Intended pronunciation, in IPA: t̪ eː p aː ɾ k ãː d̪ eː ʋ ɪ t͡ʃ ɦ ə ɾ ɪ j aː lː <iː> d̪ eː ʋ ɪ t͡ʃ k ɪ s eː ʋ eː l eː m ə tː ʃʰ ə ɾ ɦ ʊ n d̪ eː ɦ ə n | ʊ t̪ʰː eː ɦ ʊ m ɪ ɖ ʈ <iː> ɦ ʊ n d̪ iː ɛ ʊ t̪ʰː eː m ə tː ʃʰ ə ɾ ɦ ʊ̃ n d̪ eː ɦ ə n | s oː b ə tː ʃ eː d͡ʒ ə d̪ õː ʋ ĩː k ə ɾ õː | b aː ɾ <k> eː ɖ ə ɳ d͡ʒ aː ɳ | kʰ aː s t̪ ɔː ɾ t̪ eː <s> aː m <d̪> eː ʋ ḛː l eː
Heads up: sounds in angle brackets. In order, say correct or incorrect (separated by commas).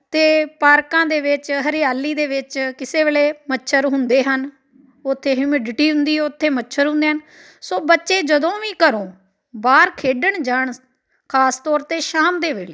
correct, correct, incorrect, incorrect, correct